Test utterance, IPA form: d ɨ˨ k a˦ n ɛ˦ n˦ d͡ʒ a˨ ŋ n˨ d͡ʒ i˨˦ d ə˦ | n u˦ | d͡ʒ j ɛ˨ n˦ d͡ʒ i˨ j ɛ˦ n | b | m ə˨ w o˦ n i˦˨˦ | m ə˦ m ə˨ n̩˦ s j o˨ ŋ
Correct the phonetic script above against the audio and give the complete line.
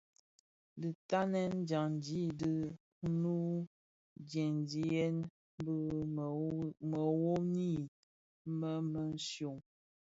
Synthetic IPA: d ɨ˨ t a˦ n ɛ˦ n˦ d͡ʒ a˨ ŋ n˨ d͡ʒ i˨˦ d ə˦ | n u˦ | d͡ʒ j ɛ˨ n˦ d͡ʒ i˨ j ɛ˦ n | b | m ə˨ w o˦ n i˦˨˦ | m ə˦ m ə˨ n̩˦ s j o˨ ŋ